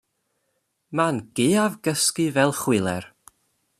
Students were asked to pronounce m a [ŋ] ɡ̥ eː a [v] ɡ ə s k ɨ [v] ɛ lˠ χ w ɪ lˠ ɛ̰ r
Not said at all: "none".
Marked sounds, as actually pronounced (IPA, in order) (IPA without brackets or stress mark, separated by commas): n, v, v